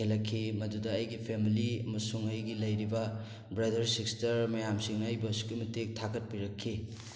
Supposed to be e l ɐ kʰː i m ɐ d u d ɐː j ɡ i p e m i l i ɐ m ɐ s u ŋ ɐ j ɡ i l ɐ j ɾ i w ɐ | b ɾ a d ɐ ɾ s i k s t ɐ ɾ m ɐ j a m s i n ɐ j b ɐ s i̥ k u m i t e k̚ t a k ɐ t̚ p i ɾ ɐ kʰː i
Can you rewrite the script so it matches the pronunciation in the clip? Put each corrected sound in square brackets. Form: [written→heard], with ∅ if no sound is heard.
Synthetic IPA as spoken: e l ɐ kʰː i m ɐ d u d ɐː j ɡ i [p→pʰ] e m i l i ɐ m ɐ s u ŋ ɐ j ɡ i l ɐ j ɾ i [w→b] ɐ | b ɾ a d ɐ ɾ s i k s t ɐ ɾ m ɐ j a m s i [n→ŋ] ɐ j b ɐ s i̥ k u m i t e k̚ [t→tʰ] a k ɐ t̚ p i ɾ ɐ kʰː i

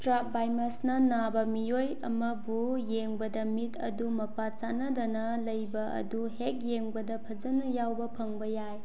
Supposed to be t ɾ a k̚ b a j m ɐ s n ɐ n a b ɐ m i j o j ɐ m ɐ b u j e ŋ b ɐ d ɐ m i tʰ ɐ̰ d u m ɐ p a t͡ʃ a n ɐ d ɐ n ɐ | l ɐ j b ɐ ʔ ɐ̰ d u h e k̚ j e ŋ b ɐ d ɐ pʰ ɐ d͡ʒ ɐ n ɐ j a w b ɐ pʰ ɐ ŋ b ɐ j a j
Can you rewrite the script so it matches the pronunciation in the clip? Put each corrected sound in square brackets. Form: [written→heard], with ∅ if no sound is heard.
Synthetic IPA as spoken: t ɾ a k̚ b a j m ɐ s n ɐ n a b ɐ m i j o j ɐ m ɐ b u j e ŋ b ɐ d ɐ m i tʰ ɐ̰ d u m ɐ p a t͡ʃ a n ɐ d ɐ n ɐ | l ɐ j b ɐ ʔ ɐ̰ d u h e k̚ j e ŋ b ɐ d ɐ pʰ ɐ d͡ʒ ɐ n ɐ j a w b ɐ pʰ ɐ ŋ b ɐ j a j

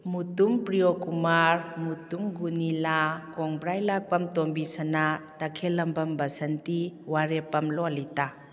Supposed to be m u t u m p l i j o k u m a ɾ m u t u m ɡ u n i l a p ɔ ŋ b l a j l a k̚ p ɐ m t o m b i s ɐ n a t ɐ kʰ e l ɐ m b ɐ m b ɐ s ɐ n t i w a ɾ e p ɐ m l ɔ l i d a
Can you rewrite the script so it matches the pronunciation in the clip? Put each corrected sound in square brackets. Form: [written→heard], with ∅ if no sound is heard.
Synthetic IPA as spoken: m u t u m p [l→ɾ] i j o k u m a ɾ m u t u m ɡ u n i l a [p→k] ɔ ŋ b [l→ɾ] a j l a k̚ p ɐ m t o m b i s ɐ n a t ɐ kʰ e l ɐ m b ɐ m b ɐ s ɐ n t i w a ɾ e p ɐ m l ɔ l i [d→t] a

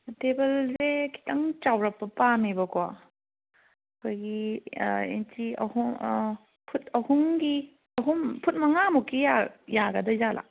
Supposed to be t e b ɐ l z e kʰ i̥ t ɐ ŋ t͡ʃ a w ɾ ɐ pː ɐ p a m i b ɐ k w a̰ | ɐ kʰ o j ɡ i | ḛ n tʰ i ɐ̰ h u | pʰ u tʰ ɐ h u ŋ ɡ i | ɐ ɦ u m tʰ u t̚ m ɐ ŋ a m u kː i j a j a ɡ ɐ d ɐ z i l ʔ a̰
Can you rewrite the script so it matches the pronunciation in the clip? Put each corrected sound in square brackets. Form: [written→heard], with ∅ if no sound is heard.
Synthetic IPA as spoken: t e b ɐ l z e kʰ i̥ t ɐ ŋ t͡ʃ a w ɾ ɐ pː ɐ p a m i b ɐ k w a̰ | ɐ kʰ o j ɡ i | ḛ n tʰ i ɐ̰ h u | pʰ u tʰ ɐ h u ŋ ɡ i | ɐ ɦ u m [tʰ→pʰ] u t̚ m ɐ ŋ a m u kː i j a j a ɡ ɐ d ɐ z [i→a] l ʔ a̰

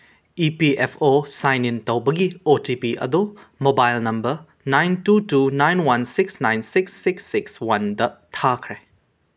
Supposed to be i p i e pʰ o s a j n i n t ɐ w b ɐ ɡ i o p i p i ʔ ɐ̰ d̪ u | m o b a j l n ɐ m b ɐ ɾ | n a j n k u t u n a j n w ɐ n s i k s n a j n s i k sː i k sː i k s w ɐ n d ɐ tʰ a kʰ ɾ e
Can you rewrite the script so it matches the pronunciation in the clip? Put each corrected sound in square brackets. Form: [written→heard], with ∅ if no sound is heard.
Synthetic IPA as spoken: i p i e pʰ o s a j n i n t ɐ w b ɐ ɡ i o [p→t] i p i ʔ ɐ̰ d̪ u | m o b a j l n ɐ m b ɐ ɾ | n a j n [k→t] u t u n a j n w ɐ n s i k s n a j n s i k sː i k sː i k s w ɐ n d ɐ tʰ a kʰ ɾ e

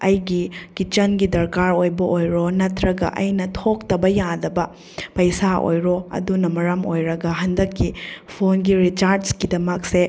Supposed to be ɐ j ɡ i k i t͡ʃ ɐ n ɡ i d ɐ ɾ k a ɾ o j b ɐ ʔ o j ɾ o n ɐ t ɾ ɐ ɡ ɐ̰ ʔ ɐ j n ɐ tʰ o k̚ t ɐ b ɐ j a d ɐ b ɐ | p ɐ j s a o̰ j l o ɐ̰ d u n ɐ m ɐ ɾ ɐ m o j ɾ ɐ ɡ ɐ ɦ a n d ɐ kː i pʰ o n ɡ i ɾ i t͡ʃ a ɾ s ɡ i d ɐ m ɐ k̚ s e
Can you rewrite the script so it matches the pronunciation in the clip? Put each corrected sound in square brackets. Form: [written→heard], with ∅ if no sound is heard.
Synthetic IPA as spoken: ɐ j ɡ i k i t͡ʃ ɐ n ɡ i d ɐ ɾ k a ɾ o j b ɐ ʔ o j ɾ o n ɐ t ɾ ɐ ɡ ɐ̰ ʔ ɐ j n ɐ tʰ o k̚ t ɐ b ɐ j a d ɐ b ɐ | p ɐ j s a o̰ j [l→ɾ] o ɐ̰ d u n ɐ m ɐ ɾ ɐ m o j ɾ ɐ ɡ ɐ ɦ [a→ɐ] n d ɐ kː i pʰ o n ɡ i ɾ i t͡ʃ a ɾ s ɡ i d ɐ m ɐ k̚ s e

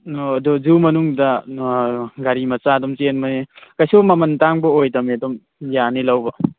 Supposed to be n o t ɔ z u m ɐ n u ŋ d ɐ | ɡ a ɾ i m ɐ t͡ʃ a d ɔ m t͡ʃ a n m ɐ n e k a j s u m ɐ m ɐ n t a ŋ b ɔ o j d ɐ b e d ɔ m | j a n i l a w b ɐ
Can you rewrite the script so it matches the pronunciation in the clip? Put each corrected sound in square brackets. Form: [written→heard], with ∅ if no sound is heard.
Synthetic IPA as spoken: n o [t→d] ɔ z u m ɐ n u ŋ d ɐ | ɡ a ɾ i m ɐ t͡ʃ a d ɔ m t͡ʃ [a→e] n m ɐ n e k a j s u m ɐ m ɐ n t a ŋ b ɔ o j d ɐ [b→m] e d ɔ m | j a n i l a w b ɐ

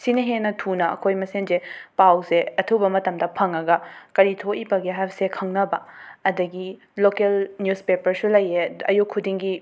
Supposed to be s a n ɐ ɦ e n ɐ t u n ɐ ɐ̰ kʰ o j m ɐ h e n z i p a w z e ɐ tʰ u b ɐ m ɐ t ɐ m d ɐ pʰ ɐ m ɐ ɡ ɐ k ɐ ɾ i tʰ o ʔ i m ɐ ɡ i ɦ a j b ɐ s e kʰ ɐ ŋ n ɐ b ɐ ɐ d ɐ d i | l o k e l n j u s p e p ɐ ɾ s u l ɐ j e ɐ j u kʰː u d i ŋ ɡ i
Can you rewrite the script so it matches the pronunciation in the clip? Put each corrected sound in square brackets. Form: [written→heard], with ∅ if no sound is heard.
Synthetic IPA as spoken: s [a→i] n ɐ ɦ e n ɐ [t→tʰ] u n ɐ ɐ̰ kʰ o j m ɐ [h→s] e n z [i→e] p a w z e ɐ tʰ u b ɐ m ɐ t ɐ m d ɐ pʰ ɐ [m→ŋ] ɐ ɡ ɐ k ɐ ɾ i tʰ o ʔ i [m→b] ɐ ɡ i ɦ a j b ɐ s e kʰ ɐ ŋ n ɐ b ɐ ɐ d ɐ [d→ɡ] i | l o k e l n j u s p e p ɐ ɾ s u l ɐ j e ɐ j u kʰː u d i ŋ ɡ i

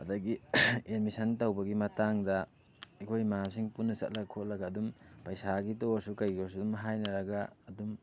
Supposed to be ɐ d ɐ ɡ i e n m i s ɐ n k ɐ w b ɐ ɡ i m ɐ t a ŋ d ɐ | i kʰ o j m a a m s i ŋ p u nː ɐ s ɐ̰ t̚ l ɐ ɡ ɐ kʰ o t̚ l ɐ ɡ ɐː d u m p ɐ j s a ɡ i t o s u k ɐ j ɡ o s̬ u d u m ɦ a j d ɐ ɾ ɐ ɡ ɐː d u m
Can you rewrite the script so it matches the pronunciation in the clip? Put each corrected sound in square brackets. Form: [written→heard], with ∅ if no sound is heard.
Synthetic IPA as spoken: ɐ d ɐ ɡ i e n m i s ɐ n [k→t] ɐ w b ɐ ɡ i m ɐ t a ŋ d ɐ | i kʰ o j m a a m s i ŋ p u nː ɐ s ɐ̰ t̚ l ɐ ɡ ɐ kʰ o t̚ l ɐ ɡ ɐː d u m p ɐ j s a ɡ i t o s u k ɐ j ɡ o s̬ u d u m ɦ a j [d→n] ɐ ɾ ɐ ɡ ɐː d u m

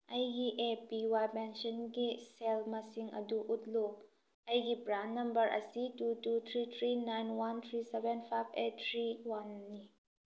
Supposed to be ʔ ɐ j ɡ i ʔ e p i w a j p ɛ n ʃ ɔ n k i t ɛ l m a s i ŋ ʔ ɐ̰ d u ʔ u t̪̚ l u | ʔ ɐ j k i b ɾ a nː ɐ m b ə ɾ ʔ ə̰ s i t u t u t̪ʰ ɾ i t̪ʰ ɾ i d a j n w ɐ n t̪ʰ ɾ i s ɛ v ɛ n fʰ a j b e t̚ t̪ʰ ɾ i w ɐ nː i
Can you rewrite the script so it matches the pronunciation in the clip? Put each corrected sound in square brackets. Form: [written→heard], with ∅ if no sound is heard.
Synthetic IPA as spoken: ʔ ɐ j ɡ i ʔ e p i w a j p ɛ n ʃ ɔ n k i [t→s] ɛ l m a s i ŋ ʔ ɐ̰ d u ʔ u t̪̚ l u | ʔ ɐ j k i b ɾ a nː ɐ m b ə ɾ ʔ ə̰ s i t u t u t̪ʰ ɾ i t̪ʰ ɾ i [d→n] a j n w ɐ n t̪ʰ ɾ i s ɛ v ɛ n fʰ a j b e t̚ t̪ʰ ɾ i w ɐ nː i

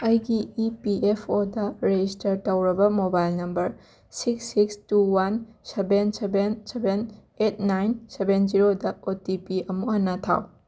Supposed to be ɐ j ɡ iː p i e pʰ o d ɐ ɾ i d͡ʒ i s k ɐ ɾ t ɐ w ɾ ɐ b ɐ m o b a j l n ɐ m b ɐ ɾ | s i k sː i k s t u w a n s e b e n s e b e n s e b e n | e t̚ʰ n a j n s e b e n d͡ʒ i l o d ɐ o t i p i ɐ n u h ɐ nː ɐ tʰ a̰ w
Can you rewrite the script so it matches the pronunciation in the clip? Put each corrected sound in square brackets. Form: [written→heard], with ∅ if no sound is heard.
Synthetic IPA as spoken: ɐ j ɡ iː p i e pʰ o d ɐ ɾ [i→e] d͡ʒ i s [k→t] ɐ ɾ t ɐ w ɾ ɐ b ɐ m o b a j l n ɐ m b ɐ ɾ | s i k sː i k s t u w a n s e b e n s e b e n s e b e n | e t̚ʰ n a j n s e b e n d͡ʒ i [l→ɾ] o d ɐ o t i p i ɐ [n→m] u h ɐ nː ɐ tʰ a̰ w

